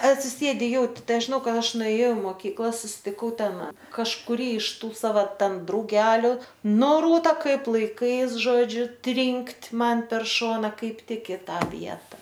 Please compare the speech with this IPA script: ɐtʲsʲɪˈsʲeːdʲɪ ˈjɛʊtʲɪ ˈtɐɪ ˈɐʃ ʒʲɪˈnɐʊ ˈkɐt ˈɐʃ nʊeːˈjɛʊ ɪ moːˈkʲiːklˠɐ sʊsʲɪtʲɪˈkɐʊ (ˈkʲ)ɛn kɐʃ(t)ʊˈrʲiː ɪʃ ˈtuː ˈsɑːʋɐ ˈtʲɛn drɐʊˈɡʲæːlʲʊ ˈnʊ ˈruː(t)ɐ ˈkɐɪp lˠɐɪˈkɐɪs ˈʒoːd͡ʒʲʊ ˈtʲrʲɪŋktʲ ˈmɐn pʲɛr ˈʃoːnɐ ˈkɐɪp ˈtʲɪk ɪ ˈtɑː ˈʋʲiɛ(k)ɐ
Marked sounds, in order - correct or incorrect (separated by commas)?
incorrect, incorrect, correct, incorrect